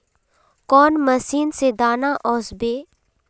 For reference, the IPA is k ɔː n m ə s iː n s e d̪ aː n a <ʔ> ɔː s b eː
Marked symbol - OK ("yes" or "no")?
yes